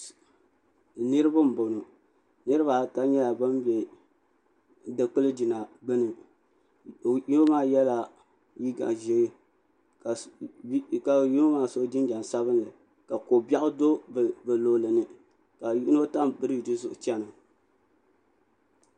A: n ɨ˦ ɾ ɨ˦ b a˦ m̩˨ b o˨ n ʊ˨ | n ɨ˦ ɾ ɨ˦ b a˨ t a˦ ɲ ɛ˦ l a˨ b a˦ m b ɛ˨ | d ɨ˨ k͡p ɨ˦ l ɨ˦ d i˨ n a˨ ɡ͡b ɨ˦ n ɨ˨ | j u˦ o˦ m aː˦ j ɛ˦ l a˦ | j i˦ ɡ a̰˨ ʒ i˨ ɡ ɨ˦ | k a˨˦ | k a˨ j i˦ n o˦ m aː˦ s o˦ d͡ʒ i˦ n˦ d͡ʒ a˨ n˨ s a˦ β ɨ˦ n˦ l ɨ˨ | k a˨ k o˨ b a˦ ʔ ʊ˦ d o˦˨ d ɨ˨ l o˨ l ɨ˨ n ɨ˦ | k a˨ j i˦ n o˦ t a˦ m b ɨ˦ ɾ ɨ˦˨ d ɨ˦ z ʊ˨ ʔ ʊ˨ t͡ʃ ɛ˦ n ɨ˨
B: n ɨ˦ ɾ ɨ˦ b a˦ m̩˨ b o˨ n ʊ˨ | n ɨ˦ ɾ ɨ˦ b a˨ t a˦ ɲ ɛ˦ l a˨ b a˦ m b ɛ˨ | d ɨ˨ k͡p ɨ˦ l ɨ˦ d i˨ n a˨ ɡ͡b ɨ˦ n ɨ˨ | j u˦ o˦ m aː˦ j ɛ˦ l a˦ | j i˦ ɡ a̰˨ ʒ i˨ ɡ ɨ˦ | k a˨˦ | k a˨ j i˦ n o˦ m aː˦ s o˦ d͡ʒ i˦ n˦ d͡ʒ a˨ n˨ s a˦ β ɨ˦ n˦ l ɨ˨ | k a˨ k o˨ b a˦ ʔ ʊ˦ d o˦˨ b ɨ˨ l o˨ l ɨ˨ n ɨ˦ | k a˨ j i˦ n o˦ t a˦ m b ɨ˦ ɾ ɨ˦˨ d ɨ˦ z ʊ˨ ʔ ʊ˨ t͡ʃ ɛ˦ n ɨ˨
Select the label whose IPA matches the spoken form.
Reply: B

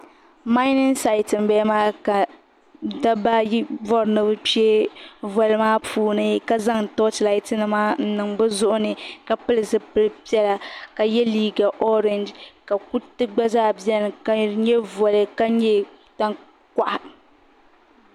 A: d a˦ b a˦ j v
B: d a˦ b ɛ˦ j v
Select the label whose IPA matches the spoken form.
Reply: A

